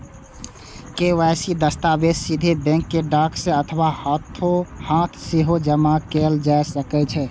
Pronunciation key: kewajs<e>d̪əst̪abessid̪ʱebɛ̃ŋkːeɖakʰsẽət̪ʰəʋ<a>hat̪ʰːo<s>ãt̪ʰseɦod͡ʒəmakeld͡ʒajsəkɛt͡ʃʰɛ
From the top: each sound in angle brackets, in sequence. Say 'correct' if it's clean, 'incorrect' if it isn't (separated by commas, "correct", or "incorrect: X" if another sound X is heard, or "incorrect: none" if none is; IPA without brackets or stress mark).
incorrect: i, correct, incorrect: h